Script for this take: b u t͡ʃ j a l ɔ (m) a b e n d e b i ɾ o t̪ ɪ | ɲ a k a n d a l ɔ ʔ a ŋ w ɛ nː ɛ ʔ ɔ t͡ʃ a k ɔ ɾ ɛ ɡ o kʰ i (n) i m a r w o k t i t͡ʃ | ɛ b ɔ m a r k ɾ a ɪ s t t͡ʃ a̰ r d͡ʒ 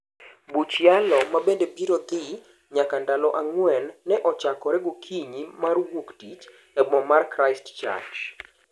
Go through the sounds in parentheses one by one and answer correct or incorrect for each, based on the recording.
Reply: correct, incorrect: ɲ

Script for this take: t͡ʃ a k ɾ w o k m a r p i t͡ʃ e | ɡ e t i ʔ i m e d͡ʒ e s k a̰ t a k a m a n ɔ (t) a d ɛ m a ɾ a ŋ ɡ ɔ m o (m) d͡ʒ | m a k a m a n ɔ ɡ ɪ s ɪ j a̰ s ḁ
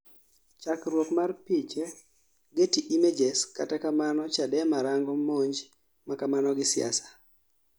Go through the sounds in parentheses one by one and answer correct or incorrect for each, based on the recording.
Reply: incorrect: t͡ʃ, incorrect: ɲ

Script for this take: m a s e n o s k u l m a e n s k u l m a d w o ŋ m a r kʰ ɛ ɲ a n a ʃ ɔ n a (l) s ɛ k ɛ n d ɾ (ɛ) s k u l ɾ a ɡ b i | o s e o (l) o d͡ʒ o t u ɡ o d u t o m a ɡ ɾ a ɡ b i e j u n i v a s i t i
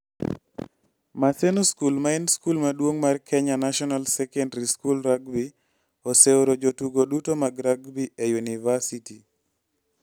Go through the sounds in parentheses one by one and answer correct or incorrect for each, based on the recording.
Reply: correct, incorrect: i, incorrect: ɾ

